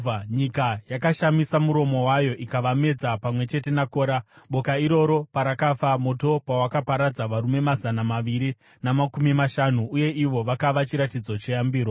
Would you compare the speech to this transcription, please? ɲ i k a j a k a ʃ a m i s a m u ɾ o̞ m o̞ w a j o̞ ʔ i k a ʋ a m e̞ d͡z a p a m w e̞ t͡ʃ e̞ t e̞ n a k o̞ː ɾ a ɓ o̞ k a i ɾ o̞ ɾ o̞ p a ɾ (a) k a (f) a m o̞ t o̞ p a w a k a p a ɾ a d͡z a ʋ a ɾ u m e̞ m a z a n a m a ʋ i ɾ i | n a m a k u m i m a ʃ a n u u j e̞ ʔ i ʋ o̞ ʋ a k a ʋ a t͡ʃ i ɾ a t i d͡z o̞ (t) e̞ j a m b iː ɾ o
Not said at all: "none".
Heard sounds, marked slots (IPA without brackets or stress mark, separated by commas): a, f, t͡ʃ